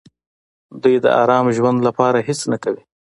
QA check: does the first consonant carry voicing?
yes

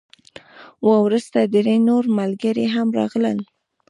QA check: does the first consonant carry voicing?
yes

